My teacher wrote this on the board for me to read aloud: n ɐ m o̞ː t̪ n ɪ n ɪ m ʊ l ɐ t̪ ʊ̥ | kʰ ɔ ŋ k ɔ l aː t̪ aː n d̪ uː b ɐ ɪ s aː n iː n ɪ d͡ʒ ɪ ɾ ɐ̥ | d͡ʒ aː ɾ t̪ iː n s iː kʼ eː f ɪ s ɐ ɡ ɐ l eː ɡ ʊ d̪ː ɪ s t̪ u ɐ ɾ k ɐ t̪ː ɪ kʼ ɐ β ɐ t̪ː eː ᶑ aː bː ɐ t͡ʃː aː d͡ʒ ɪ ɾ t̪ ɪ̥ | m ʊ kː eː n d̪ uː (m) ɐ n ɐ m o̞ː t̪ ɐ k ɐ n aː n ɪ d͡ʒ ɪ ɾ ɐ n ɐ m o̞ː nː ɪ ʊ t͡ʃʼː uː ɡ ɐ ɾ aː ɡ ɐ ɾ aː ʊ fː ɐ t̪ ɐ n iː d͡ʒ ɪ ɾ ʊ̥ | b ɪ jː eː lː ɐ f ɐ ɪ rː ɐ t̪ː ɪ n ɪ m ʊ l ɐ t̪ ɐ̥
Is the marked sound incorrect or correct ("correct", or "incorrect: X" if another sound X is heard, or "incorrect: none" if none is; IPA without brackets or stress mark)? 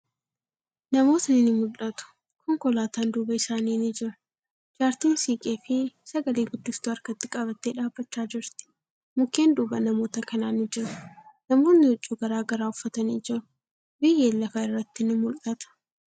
incorrect: b